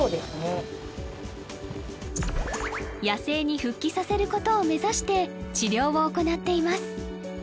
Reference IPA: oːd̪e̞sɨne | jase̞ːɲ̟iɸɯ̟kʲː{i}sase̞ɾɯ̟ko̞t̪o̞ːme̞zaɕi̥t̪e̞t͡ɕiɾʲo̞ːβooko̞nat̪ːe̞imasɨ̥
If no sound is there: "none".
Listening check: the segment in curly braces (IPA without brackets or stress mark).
i